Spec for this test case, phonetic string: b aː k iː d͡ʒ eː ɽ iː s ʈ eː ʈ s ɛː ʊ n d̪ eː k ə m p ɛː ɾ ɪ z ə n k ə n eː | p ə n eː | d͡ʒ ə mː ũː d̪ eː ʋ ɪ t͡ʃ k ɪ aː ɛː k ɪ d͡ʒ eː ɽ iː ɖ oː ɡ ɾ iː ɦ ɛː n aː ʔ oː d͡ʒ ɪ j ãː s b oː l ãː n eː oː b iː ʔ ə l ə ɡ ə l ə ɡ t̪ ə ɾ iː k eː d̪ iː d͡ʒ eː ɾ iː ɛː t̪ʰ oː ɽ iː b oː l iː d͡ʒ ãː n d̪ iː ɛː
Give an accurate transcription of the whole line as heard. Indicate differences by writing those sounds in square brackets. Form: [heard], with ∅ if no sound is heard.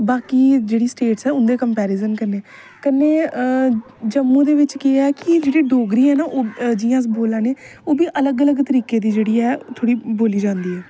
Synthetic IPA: b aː k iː d͡ʒ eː ɽ iː s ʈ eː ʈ s ɛː ʊ n d̪ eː k ə m p ɛː ɾ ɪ z ə n k ə n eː | [k] ə n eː | d͡ʒ ə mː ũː d̪ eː ʋ ɪ t͡ʃ k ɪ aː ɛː k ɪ d͡ʒ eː ɽ iː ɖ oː ɡ ɾ iː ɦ ɛː n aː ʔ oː d͡ʒ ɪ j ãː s b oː l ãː n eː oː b iː ʔ ə l ə ɡ ə l ə ɡ t̪ ə ɾ iː k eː d̪ iː d͡ʒ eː [ɽ] iː ɛː t̪ʰ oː ɽ iː b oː l iː d͡ʒ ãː n d̪ iː ɛː